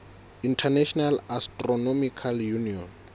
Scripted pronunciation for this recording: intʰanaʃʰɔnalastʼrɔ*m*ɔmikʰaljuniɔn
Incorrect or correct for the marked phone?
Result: incorrect: n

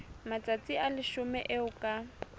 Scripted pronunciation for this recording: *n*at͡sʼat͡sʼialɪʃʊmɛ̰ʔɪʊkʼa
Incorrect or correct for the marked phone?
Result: incorrect: m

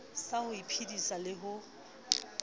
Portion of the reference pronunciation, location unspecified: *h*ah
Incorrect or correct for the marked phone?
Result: incorrect: s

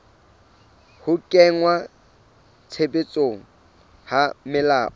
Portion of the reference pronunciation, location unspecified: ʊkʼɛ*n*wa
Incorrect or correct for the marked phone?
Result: incorrect: ŋ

